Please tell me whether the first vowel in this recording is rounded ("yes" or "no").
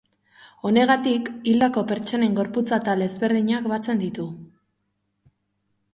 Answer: yes